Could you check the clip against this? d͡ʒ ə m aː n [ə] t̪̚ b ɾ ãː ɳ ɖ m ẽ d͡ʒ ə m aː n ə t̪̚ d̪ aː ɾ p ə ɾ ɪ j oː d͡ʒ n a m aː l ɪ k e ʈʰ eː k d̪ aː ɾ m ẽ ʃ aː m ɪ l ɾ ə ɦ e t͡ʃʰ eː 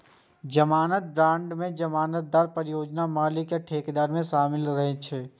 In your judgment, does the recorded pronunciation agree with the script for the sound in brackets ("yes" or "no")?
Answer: yes